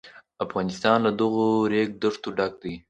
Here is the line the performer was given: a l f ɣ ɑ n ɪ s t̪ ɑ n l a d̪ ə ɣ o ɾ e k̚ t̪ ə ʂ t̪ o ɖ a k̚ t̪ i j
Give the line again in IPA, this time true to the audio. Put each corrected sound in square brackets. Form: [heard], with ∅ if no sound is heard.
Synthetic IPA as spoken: a [∅] f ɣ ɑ n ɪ s t̪ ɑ n l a d̪ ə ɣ o ɾ e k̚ [d̪] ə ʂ t̪ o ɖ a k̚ [d̪] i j